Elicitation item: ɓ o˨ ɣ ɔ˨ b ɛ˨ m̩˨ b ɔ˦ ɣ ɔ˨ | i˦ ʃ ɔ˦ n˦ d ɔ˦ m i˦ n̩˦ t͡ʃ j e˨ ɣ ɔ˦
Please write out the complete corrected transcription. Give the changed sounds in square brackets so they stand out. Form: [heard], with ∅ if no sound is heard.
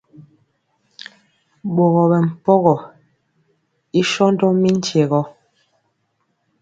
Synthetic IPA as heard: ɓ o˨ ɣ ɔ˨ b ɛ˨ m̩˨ [p] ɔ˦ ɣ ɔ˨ | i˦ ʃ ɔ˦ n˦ d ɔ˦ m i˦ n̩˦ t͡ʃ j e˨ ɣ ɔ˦